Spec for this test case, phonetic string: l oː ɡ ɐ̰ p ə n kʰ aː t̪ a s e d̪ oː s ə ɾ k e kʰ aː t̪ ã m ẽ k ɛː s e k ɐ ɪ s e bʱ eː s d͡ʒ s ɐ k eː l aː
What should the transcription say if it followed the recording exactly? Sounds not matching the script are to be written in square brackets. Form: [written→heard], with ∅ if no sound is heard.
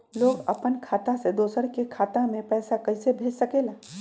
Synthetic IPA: l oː ɡ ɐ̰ p ə n kʰ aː t̪ a s e d̪ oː s ə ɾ k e kʰ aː t̪ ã m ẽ [k→p] ɛː s [e→a] k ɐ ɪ s e bʱ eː [s→∅] d͡ʒ s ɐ k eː l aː

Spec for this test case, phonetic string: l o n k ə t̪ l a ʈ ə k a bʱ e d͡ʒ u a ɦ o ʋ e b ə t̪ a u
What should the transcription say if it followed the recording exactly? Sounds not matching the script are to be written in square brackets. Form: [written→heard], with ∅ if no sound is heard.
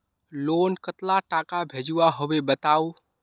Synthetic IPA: l o n k ə t̪ l a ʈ [ə→a] k a bʱ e d͡ʒ u a ɦ o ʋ e b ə t̪ a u

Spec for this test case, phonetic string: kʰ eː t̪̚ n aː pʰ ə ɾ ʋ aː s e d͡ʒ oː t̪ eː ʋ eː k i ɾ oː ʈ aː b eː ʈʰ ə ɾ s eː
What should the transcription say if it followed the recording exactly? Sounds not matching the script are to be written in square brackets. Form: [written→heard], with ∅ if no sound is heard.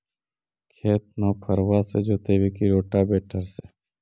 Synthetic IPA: kʰ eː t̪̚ n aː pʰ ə ɾ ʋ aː s e d͡ʒ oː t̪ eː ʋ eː k i ɾ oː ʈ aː b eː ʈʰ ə ɾ s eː

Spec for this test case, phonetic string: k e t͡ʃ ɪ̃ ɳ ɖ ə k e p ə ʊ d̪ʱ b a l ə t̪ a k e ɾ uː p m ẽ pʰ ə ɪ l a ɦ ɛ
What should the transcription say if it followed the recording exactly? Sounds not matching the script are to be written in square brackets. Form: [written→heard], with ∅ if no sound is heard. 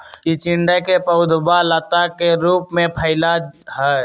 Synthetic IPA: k [e→i] t͡ʃ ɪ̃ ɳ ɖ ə k e p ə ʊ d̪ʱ b a l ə t̪ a k e ɾ uː p m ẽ pʰ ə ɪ l a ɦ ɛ

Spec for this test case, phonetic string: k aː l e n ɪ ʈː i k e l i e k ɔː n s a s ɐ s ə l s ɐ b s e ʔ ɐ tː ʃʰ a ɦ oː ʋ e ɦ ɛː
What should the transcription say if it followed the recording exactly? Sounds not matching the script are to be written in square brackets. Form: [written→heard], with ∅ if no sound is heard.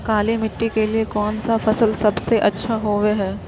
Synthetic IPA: k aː l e [n→m] ɪ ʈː i k e l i e k ɔː n s a [s→f] ɐ s ə l s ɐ b s e ʔ ɐ tː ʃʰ a ɦ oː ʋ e ɦ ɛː

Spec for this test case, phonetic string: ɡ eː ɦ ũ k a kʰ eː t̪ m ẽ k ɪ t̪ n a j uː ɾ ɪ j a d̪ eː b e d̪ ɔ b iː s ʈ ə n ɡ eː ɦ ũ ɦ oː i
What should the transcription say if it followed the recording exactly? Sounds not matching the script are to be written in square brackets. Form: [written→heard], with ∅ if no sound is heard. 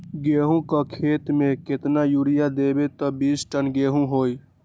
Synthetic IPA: ɡ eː ɦ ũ k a kʰ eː t̪ m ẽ k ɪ t̪ n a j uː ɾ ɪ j a d̪ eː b e [d̪→t̪] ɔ b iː s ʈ ə n ɡ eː ɦ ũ ɦ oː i

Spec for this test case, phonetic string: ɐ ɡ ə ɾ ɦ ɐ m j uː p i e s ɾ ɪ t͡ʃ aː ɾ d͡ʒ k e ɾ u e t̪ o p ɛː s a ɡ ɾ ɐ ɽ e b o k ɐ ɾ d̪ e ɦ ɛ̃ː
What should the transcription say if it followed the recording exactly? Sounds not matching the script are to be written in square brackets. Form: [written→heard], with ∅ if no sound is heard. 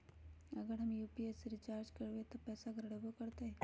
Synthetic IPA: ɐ ɡ ə ɾ ɦ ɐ m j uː p i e s ɾ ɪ t͡ʃ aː ɾ d͡ʒ k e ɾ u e t̪ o p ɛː s a ɡ ɾ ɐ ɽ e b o k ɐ ɾ [d̪→t̪] e ɦ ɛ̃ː

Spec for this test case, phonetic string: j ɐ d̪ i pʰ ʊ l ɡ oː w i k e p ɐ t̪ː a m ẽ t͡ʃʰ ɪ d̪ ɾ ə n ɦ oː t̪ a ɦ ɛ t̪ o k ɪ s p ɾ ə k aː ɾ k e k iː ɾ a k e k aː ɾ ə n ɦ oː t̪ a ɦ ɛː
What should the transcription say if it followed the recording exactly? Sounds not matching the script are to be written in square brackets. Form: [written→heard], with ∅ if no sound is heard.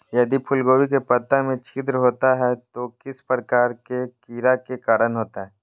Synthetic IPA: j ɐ d̪ i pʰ ʊ l ɡ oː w i k e p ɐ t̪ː a m ẽ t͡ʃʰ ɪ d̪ ɾ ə [n→∅] ɦ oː t̪ a ɦ ɛ t̪ o k ɪ s p ɾ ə k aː ɾ k e k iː ɾ a k e k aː ɾ ə n ɦ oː t̪ a ɦ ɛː

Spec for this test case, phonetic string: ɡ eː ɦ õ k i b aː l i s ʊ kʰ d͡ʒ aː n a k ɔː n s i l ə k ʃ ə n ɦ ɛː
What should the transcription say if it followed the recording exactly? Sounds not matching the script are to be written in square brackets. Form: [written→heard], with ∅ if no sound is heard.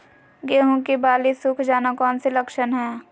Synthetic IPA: ɡ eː ɦ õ k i b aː l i s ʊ kʰ d͡ʒ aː n a k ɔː n s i l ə k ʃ ə n ɦ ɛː

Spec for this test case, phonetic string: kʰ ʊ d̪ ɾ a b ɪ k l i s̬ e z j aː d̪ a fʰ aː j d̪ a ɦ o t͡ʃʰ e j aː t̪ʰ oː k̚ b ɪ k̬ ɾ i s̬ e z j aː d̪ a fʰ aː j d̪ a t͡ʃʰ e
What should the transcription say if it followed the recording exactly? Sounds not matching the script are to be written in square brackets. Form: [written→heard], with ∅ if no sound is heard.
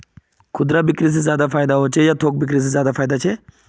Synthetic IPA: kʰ ʊ d̪ ɾ a b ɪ k [l→ɾ] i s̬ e z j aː d̪ a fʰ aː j d̪ a ɦ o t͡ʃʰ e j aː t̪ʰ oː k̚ b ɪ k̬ ɾ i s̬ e z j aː d̪ a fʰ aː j d̪ a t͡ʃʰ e

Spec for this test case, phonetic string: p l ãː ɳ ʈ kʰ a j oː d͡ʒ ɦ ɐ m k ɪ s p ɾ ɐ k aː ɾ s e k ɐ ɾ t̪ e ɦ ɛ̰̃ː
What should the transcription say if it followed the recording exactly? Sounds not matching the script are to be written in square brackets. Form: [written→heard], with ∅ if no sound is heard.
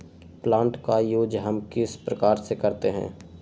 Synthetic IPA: p l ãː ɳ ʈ [kʰ→k] a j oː d͡ʒ ɦ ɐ m k ɪ s p ɾ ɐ k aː ɾ s e k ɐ ɾ t̪ e ɦ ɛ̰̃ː

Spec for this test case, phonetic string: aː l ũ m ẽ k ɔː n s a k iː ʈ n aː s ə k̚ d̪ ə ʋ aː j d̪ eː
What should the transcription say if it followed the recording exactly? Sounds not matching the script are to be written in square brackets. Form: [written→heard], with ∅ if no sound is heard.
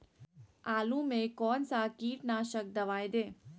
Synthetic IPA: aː l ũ m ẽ k ɔː n s a k iː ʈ n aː [s→ʃ] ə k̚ d̪ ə ʋ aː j d̪ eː

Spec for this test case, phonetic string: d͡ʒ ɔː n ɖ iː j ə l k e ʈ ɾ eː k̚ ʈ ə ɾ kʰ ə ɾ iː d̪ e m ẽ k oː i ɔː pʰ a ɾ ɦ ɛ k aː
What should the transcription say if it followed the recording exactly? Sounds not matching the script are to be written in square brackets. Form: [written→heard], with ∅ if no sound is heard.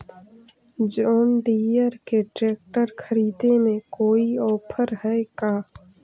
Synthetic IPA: d͡ʒ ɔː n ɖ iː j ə [l→ɾ] k e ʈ ɾ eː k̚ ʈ ə ɾ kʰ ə ɾ iː d̪ e m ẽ k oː i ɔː pʰ [a→ə] ɾ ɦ ɛ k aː

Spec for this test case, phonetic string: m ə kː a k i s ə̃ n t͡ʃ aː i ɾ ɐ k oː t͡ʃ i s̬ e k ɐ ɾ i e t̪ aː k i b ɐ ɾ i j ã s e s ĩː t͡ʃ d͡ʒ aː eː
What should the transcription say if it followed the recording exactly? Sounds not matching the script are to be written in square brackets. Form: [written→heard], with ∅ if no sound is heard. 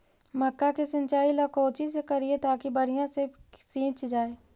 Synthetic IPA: m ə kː a k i s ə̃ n t͡ʃ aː i [ɾ→l] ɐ k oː t͡ʃ i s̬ e k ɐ ɾ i e t̪ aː k i b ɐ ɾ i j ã s e s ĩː t͡ʃ d͡ʒ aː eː

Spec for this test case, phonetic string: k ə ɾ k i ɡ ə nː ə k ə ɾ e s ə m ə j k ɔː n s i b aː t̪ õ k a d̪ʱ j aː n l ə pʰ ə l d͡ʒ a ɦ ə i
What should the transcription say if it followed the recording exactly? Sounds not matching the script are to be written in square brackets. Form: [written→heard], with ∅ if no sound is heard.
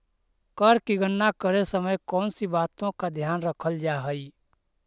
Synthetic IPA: k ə ɾ k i ɡ ə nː [ə→a] k ə ɾ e s ə m ə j k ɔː n s i b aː t̪ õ k a d̪ʱ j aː n [l→ɾ] ə [pʰ→kʰ] ə l d͡ʒ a ɦ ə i

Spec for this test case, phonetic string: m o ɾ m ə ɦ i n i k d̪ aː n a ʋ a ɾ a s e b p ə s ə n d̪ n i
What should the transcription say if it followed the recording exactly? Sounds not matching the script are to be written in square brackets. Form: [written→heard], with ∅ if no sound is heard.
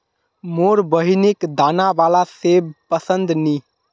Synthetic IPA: m o ɾ [m→b] ə ɦ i n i k d̪ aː n a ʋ a [ɾ→l] a s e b p ə s ə n d̪ n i

